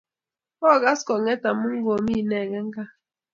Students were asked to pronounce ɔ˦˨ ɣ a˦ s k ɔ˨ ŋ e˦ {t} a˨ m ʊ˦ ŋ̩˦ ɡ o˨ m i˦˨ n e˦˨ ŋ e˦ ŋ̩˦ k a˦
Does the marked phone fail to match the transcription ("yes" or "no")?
no